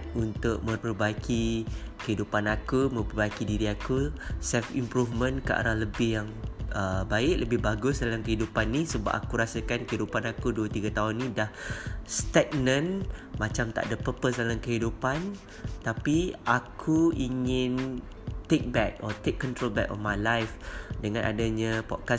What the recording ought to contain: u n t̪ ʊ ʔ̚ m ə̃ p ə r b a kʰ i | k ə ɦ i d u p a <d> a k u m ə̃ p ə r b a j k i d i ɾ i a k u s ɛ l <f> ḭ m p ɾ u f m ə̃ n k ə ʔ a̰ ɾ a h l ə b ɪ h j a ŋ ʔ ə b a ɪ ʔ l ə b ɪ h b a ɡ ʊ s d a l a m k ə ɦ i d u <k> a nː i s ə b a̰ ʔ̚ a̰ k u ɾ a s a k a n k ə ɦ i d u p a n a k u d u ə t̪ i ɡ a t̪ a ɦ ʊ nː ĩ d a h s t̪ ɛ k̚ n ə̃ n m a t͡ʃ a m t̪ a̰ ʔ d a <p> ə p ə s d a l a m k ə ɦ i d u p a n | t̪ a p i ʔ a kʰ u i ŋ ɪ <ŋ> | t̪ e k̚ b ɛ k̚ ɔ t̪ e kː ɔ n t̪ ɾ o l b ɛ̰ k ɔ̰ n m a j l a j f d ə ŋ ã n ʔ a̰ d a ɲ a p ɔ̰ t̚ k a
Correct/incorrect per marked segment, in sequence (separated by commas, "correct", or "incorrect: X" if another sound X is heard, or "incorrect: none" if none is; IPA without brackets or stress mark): incorrect: n, correct, incorrect: p, correct, incorrect: n